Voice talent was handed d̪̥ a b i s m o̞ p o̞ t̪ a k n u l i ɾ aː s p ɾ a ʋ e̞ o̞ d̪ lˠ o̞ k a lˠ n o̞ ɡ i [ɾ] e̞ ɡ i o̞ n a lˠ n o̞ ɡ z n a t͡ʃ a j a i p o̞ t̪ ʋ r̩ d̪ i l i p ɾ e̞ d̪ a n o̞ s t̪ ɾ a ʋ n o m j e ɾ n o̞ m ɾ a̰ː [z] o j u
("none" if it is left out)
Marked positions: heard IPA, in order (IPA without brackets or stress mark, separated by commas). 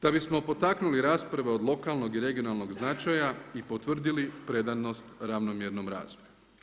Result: ɾ, z